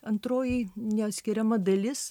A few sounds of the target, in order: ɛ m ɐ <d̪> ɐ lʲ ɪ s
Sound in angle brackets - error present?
no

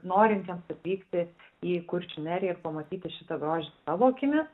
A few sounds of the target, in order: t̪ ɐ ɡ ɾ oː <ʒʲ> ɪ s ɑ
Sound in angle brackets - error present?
no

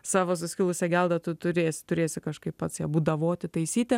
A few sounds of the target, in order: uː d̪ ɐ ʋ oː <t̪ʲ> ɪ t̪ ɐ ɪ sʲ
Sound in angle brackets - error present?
no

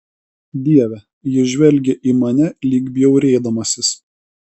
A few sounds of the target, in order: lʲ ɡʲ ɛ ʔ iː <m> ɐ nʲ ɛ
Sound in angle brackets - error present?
no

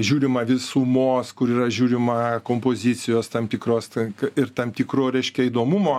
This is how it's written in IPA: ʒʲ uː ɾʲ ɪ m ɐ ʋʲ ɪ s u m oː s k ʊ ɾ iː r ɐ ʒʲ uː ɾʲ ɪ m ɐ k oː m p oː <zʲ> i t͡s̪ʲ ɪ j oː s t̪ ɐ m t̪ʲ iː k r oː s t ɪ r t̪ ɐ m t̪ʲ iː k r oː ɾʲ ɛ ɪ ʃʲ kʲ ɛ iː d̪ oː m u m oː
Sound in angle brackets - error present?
no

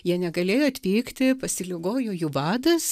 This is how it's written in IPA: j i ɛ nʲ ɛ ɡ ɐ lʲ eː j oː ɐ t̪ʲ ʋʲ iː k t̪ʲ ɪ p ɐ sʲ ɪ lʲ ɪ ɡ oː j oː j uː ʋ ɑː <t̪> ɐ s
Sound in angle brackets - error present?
yes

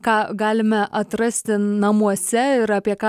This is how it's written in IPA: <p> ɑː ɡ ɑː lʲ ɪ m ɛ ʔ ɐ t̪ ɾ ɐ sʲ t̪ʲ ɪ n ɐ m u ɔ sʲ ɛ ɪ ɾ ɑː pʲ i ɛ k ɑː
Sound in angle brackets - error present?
yes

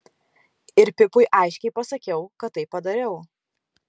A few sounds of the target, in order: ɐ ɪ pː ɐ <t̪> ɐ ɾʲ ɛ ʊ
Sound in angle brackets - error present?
yes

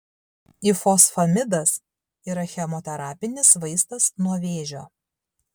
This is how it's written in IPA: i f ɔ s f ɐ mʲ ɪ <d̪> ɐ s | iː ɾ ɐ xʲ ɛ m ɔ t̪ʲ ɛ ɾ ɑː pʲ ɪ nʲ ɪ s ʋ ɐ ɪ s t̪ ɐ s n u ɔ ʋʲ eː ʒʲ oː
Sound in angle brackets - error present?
no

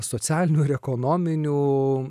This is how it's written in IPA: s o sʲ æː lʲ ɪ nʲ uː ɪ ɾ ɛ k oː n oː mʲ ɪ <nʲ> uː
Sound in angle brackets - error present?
no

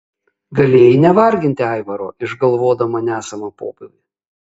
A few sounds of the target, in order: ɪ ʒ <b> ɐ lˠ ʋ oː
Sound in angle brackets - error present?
yes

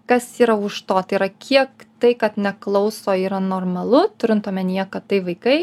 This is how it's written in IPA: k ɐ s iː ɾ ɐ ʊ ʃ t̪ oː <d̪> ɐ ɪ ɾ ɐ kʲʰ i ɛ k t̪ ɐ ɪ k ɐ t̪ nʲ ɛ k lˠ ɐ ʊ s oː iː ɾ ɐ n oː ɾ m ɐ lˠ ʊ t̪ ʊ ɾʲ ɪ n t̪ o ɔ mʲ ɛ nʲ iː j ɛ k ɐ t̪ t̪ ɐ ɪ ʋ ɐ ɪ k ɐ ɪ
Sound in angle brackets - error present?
yes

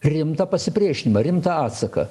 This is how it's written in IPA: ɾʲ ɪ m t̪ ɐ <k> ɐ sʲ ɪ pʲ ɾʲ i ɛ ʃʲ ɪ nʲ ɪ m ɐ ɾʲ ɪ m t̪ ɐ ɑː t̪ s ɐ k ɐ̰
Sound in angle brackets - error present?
yes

